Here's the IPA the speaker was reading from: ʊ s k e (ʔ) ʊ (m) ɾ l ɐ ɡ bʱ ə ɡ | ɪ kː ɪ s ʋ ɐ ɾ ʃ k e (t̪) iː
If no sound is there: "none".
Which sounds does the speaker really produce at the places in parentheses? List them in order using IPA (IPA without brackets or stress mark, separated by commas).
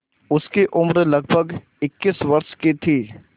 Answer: ʔ, m, t̪ʰ